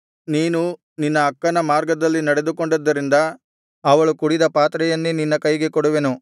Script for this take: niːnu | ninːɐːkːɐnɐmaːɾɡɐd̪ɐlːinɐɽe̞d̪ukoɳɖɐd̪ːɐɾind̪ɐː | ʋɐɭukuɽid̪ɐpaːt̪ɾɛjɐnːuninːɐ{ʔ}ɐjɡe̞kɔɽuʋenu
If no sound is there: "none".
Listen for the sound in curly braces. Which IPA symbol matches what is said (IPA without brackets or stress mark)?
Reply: k